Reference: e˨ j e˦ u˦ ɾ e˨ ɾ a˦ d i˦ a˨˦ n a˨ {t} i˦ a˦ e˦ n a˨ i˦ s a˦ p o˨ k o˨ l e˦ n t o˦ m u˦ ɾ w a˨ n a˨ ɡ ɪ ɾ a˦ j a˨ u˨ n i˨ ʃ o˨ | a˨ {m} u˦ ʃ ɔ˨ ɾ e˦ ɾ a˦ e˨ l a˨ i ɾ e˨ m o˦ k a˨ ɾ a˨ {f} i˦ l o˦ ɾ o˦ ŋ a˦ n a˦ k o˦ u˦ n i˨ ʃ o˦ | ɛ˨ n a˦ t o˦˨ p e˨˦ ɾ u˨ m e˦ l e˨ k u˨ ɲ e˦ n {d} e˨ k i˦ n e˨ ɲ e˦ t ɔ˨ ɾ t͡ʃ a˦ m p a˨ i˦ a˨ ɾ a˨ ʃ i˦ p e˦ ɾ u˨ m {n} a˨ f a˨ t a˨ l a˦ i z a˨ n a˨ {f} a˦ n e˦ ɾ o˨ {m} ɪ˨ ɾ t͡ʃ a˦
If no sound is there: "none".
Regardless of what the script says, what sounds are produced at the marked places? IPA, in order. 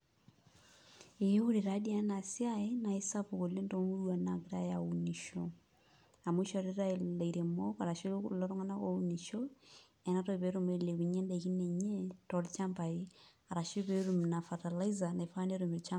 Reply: s, m, ʃ, d, n, f, m

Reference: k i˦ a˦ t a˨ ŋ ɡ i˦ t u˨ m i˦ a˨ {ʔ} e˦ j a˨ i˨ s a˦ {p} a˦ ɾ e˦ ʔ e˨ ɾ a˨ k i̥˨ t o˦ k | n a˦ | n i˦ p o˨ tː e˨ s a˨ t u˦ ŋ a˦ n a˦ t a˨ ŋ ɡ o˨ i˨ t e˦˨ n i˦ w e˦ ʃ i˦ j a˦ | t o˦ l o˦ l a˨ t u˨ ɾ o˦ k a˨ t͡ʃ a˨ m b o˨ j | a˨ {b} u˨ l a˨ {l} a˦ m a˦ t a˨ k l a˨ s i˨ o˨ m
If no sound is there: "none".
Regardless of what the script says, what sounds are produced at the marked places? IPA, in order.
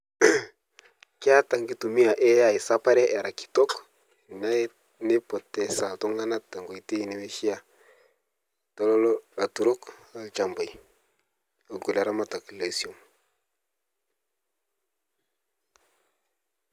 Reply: ʔ, p, ɡ, ɾ

